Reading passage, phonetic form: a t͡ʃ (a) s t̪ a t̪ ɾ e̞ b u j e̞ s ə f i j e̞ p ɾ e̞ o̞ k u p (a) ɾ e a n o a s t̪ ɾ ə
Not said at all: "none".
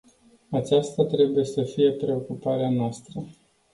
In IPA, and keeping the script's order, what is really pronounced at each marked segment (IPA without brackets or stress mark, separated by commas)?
a, a